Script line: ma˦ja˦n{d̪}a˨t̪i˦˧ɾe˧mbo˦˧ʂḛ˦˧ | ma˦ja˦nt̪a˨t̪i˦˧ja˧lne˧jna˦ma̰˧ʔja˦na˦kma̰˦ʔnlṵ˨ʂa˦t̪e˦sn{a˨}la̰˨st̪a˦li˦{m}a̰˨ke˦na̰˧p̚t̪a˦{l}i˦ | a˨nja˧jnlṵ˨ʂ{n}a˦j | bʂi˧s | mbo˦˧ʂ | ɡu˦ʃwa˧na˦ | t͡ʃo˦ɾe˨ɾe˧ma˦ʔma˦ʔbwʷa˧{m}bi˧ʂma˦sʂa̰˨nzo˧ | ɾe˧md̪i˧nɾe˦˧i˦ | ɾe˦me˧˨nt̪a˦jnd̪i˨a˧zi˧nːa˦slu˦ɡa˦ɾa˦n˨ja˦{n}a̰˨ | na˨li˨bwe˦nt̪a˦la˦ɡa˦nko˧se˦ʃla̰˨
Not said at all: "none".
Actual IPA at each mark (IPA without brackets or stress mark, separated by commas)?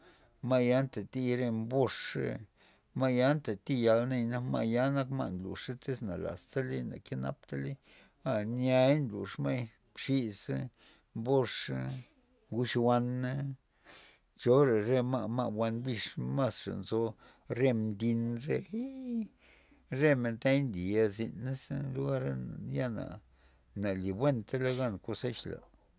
t̪, a˨, n, l, m, n, n